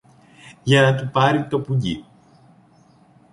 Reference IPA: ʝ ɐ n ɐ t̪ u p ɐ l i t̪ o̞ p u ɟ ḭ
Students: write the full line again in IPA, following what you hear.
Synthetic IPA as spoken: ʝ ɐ n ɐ t̪ u p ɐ ɾ i t̪ o̞ p u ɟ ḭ